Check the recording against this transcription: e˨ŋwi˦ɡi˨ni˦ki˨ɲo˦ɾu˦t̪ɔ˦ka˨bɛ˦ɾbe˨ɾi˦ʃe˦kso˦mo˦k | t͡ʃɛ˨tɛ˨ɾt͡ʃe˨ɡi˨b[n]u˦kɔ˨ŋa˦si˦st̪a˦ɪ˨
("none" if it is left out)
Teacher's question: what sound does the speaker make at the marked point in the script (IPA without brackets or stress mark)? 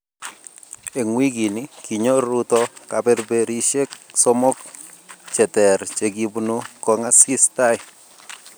n